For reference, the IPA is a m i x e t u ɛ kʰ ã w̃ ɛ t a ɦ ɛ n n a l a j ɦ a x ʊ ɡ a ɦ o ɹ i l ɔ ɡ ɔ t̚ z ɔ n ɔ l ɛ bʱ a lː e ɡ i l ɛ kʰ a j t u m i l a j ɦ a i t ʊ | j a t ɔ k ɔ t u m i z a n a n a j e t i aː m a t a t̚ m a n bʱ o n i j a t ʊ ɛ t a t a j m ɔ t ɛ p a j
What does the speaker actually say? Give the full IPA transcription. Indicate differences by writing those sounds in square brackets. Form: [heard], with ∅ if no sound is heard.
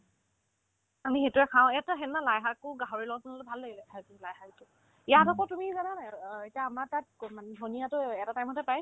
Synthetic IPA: a m i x e t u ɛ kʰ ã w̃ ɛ t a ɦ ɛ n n a l a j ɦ a [k] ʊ ɡ a ɦ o ɹ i l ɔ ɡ ɔ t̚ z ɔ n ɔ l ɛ bʱ a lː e ɡ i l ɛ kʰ a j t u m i l a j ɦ a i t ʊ | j a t ɔ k ɔ t u m i z a n a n a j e t i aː m a t a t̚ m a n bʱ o n i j a t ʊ ɛ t a t a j m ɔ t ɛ p a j

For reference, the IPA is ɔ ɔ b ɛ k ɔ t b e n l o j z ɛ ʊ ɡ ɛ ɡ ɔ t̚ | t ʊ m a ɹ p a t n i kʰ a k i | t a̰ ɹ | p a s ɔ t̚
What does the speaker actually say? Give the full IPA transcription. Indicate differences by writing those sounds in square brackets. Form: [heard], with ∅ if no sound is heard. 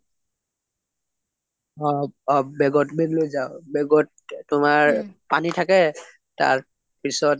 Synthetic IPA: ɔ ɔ b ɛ [ɡ] ɔ t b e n l o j z [a] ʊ [b] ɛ ɡ ɔ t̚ | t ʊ m a ɹ p a [∅] n i [tʰ] a k [ɛ] | t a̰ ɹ | p [i] s ɔ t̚

